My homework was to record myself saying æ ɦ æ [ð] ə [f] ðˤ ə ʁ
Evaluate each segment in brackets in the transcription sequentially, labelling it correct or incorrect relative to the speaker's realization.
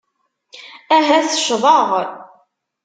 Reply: incorrect, incorrect

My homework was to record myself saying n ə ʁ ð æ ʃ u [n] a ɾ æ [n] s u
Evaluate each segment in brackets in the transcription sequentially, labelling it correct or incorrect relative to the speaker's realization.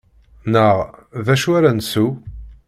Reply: incorrect, correct

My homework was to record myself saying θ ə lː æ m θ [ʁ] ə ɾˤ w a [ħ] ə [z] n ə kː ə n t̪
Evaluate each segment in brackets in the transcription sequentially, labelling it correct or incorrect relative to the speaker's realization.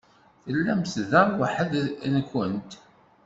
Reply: incorrect, correct, incorrect

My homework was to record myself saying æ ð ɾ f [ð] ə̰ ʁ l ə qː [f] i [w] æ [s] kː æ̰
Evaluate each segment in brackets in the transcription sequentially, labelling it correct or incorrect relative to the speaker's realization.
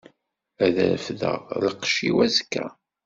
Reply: correct, incorrect, correct, incorrect

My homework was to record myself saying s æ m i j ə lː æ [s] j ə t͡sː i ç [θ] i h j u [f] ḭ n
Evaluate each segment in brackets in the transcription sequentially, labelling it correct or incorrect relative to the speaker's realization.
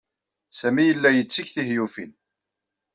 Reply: incorrect, correct, correct

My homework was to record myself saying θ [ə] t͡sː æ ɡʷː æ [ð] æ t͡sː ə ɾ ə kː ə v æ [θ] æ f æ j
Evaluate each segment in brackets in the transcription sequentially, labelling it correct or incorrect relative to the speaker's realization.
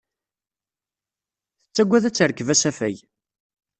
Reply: correct, correct, incorrect

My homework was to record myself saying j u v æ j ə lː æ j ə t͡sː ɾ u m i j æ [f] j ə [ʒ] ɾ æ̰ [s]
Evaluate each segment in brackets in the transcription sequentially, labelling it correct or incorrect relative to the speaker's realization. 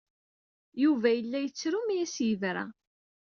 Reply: incorrect, incorrect, incorrect

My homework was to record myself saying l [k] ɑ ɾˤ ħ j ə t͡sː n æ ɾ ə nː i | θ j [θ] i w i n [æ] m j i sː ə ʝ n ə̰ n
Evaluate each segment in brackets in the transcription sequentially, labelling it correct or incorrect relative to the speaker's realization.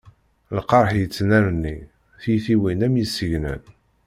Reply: incorrect, correct, correct

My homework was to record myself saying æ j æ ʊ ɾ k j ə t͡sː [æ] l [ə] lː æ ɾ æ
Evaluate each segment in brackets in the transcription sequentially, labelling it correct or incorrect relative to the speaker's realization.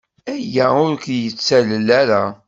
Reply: correct, correct

